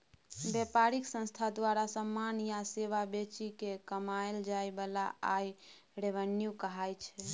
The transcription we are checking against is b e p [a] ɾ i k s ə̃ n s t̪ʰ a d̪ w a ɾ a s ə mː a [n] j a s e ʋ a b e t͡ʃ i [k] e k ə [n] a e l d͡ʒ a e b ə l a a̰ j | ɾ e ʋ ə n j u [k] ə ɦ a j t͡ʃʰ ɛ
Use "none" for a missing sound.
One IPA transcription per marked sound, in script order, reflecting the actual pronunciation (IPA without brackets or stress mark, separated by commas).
a, n, k, m, k